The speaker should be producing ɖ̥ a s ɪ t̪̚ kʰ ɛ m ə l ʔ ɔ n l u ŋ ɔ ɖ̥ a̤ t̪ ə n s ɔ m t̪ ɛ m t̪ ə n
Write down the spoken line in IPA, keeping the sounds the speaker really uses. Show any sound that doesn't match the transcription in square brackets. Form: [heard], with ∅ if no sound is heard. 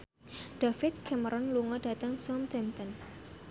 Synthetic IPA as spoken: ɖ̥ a [f] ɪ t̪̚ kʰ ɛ m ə [ɾ] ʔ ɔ n l u ŋ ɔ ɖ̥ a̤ t̪ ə [ŋ] s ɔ m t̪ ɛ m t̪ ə n